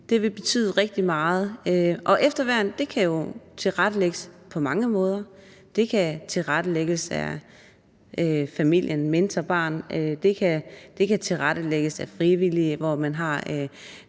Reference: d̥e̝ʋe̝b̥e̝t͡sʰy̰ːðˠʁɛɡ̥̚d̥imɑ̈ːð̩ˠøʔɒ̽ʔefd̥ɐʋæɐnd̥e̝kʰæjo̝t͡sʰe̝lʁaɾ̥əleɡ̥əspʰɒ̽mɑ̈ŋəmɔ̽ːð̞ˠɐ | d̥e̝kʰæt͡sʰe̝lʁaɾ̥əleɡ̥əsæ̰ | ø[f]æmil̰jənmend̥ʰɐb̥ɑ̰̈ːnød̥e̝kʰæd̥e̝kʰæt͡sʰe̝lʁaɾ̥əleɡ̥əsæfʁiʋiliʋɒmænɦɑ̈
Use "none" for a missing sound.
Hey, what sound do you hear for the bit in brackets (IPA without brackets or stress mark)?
f